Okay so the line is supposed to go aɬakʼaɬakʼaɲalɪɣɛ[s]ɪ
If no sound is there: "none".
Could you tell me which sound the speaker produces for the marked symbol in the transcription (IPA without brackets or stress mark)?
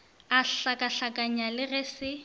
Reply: s